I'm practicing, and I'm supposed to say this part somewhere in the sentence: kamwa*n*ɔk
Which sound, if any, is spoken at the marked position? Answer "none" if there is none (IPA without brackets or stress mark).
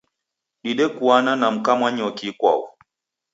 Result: ɲ